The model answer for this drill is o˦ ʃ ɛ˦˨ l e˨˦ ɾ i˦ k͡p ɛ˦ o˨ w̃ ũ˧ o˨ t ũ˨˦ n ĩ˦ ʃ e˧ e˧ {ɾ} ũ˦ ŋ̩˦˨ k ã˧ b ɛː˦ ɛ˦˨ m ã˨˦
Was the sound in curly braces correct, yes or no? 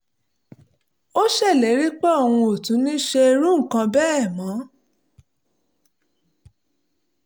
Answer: yes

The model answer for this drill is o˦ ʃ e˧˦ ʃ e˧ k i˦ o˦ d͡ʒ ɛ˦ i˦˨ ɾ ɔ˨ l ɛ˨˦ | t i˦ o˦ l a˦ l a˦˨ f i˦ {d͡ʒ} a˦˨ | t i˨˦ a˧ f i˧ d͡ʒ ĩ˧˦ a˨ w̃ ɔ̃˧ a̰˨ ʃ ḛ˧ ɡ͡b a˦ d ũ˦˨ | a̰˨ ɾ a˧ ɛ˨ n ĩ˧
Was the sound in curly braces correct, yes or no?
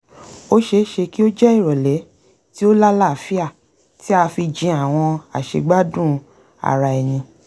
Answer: no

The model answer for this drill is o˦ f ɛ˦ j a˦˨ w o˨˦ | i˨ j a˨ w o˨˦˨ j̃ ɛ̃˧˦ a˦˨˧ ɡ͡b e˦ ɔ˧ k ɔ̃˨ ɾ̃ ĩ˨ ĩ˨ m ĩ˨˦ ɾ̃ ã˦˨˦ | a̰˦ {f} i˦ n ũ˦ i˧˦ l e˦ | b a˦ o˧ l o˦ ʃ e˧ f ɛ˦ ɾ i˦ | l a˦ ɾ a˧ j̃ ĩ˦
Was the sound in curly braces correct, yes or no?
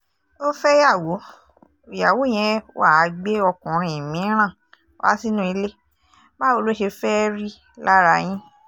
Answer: no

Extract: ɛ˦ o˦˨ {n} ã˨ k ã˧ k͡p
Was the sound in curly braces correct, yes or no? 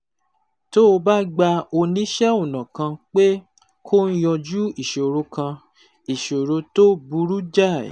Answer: yes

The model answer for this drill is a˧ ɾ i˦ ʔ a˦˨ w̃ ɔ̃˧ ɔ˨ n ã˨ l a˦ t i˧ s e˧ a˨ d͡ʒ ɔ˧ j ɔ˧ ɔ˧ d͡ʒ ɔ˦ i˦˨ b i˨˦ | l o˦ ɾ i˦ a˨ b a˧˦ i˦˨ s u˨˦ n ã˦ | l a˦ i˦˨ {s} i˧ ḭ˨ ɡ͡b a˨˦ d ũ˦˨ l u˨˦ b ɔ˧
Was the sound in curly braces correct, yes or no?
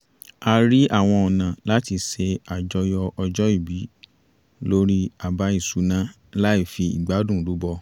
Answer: no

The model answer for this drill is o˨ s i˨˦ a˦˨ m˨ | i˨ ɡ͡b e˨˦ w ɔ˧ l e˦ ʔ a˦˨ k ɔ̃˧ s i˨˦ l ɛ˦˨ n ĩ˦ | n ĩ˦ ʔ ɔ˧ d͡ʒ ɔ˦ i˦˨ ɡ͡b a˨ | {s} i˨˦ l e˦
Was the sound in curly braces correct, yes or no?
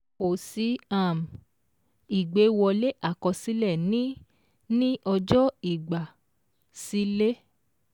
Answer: yes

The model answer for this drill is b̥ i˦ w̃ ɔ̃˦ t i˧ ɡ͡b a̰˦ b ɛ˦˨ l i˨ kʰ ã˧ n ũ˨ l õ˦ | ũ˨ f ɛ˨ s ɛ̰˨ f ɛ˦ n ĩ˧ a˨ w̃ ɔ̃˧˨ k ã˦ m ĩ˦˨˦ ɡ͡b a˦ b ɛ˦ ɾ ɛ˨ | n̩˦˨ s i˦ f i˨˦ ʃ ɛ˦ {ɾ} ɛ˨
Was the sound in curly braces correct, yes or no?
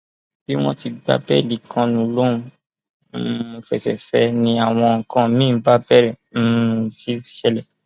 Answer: no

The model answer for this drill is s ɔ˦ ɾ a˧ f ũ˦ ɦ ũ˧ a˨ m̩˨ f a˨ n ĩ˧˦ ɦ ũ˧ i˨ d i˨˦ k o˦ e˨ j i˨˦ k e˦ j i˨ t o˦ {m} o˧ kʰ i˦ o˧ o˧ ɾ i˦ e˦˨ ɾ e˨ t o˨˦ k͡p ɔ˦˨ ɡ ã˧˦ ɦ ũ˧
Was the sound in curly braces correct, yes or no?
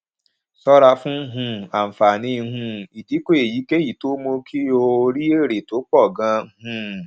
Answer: yes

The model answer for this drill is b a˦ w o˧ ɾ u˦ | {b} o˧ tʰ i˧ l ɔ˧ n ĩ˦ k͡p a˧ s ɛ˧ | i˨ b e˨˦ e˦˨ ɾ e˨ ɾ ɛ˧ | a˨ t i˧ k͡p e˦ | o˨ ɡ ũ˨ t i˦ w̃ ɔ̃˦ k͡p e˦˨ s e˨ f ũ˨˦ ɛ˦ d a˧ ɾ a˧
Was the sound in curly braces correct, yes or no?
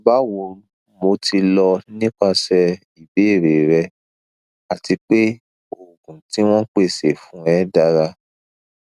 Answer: no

